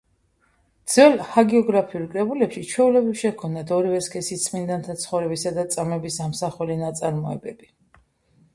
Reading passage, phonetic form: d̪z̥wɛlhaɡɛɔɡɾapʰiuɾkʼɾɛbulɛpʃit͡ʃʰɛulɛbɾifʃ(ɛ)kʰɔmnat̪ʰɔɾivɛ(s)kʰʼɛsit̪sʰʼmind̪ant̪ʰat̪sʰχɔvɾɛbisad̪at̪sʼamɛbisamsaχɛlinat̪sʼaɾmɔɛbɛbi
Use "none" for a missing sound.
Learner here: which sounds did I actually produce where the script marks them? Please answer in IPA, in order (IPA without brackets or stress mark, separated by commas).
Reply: ɛ, s